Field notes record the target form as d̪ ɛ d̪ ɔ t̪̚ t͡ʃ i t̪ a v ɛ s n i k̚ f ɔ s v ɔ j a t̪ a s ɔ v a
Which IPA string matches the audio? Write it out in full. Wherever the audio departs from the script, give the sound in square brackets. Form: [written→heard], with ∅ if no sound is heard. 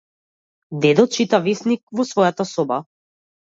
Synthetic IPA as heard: d̪ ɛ d̪ ɔ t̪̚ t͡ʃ i t̪ a v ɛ s n i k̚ [f→v] ɔ s v ɔ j a t̪ a s ɔ [v→b] a